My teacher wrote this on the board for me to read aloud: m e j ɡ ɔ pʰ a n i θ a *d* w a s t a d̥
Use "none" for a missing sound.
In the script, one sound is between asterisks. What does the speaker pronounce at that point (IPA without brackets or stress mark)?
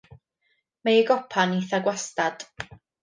ɡ